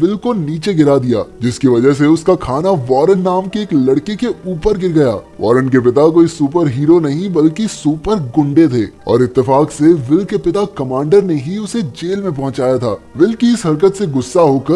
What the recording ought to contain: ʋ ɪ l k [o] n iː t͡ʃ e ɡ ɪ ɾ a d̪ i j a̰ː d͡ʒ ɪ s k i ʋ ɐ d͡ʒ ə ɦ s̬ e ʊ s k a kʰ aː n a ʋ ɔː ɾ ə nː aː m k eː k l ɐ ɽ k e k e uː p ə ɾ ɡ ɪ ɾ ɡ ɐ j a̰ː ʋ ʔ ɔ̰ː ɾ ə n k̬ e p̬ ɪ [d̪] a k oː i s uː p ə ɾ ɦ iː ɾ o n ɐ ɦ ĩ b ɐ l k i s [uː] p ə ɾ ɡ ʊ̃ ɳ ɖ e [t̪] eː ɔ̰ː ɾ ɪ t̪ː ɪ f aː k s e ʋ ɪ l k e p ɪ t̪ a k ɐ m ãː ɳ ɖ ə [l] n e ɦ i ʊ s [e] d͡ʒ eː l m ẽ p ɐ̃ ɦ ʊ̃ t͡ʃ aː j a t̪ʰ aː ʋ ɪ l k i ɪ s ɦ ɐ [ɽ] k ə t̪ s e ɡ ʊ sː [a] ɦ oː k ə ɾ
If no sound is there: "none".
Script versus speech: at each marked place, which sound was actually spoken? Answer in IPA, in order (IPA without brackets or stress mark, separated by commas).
o, t̪, uː, t̪ʰ, ɾ, e, ɾ, a